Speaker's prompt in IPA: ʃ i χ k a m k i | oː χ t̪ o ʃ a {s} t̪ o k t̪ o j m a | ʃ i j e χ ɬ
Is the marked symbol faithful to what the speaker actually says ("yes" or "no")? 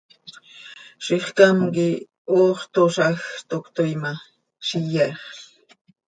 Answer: no